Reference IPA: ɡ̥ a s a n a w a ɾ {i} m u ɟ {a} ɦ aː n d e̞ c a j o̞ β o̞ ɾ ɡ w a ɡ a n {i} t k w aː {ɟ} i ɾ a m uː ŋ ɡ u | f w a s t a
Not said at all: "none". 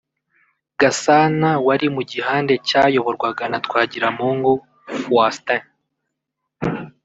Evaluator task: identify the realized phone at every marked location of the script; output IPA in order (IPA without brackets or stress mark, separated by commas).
i, i, a, ɟ